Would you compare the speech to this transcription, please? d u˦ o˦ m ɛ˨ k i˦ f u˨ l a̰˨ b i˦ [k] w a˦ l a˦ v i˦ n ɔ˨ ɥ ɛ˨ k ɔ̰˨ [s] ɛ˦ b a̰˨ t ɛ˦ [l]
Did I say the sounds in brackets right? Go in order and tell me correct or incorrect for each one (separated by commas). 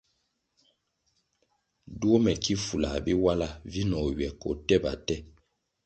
incorrect, incorrect, incorrect